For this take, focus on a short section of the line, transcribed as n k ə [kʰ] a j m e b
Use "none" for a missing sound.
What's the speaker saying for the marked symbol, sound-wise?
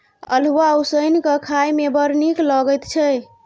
kʰ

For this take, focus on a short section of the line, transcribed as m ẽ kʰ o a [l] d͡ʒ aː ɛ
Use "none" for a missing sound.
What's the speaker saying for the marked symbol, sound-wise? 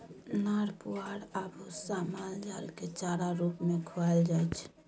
l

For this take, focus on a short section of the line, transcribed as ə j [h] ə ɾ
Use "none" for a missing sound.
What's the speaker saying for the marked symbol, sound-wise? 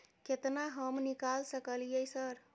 s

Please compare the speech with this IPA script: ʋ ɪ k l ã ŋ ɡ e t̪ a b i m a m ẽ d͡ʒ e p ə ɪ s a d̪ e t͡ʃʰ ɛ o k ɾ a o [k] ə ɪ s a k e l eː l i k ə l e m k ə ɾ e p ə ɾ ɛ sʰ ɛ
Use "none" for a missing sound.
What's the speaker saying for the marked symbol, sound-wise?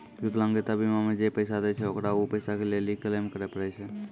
p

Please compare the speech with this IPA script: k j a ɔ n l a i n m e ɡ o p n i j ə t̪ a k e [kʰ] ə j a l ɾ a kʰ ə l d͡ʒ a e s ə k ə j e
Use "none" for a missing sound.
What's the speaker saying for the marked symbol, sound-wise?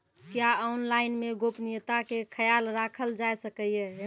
kʰ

